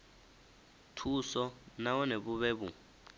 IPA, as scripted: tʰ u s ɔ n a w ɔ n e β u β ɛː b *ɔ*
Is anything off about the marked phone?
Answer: yes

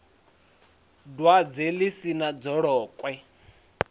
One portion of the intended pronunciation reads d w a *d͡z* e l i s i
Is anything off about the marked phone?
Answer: no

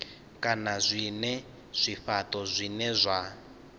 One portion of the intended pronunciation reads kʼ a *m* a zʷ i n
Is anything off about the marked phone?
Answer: yes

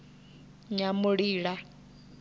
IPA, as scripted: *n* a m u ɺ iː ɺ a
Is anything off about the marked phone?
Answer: yes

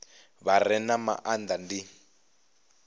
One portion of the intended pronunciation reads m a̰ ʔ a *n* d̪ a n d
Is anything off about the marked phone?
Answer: no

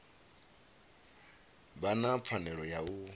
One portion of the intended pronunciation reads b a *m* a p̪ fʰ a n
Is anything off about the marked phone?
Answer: yes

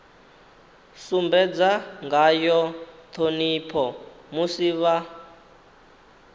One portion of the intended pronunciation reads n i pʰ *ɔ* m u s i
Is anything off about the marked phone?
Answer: no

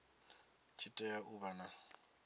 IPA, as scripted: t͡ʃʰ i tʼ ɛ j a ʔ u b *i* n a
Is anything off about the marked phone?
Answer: yes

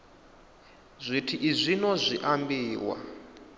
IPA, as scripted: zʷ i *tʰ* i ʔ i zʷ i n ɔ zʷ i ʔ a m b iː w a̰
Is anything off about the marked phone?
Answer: no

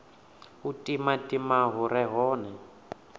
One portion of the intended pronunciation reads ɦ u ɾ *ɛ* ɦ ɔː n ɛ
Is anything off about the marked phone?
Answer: no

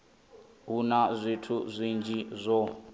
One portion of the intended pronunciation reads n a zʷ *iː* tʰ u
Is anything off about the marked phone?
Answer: yes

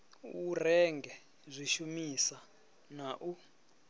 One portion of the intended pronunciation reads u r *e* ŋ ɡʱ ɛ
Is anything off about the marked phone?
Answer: yes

